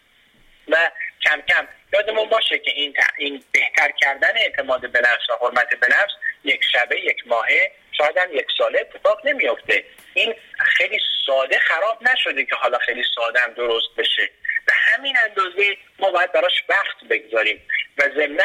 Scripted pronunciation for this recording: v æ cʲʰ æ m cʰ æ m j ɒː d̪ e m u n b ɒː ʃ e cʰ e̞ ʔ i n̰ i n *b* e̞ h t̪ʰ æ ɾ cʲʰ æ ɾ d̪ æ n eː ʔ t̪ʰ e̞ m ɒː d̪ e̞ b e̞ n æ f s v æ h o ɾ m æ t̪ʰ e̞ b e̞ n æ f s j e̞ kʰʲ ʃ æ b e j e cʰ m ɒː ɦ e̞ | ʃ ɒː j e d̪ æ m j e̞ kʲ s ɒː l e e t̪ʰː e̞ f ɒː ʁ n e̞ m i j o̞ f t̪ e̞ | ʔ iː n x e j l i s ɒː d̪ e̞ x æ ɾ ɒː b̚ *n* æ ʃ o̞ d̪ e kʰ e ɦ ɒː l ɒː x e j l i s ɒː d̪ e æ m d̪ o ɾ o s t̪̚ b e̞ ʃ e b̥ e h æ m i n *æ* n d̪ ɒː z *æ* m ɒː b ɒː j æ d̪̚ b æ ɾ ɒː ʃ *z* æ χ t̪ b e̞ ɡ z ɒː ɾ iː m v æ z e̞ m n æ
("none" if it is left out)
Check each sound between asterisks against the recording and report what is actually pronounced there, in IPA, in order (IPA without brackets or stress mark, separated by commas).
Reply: b, n, æ, e, v